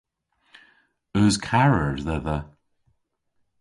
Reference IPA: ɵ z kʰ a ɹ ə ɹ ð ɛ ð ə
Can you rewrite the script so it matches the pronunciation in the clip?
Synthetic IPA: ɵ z kʰ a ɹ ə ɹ ð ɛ ð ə